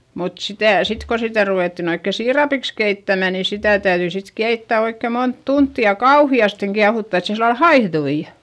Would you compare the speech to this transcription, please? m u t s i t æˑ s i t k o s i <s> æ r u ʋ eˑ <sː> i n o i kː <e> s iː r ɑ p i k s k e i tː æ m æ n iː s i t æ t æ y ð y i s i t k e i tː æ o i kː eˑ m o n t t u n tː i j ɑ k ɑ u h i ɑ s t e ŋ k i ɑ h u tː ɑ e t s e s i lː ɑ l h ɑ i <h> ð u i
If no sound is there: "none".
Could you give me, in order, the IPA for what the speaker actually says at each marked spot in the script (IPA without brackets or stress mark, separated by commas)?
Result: t, tː, e, h